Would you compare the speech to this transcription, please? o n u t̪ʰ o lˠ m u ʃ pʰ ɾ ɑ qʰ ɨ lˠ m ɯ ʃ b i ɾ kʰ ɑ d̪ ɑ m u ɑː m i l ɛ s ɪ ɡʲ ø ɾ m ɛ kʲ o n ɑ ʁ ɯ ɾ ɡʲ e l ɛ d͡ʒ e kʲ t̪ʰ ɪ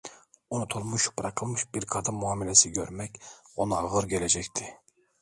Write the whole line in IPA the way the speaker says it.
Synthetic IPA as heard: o n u t̪ʰ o lˠ m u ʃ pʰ ɾ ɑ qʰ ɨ lˠ m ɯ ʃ b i ɾ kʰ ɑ d̪ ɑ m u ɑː m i l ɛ s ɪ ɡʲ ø ɾ m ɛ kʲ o n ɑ ʁ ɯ ɾ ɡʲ e l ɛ d͡ʒ ɛ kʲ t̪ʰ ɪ